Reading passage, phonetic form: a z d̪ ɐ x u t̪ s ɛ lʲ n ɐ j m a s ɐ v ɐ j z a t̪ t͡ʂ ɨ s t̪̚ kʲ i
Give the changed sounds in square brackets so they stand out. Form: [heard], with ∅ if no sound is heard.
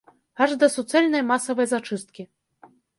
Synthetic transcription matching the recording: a [ʐ] d̪ ɐ [s] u t̪ s ɛ lʲ n ɐ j m a s ɐ v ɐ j z a [∅] t͡ʂ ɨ s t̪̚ kʲ i